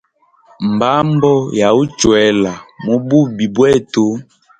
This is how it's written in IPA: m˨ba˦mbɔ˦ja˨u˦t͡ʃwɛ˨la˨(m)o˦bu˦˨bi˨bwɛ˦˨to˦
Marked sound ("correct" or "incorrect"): correct